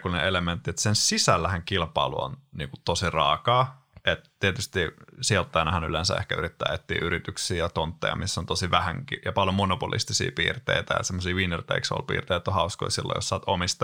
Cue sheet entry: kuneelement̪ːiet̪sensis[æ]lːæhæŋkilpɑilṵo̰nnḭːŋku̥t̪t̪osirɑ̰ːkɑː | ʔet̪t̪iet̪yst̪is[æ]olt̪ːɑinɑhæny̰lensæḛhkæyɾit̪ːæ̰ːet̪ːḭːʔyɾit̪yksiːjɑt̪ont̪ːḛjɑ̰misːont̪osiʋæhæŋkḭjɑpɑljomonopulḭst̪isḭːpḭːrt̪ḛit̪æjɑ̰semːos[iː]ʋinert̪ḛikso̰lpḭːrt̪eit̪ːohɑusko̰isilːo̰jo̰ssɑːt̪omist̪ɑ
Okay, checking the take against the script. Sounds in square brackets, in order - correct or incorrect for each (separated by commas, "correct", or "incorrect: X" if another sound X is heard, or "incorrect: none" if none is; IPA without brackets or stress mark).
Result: correct, incorrect: i, correct